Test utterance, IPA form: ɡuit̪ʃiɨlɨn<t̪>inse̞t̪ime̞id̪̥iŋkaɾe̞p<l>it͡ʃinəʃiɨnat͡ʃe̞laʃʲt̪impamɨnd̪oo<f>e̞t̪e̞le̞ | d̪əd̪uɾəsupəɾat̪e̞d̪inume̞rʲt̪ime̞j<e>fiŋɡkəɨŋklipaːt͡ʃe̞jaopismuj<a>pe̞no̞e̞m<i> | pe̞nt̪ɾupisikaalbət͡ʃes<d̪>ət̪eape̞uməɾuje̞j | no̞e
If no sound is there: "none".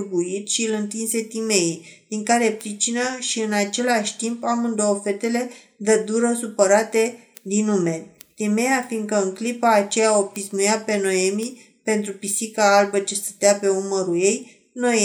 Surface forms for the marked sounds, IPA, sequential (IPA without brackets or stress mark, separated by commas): t̪, ɾ, f, a, a, i, t̪